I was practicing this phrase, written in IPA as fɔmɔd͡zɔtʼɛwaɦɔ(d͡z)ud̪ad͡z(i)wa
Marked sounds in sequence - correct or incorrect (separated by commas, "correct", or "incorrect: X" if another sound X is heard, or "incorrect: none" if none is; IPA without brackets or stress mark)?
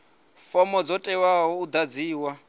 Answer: incorrect: none, incorrect: iː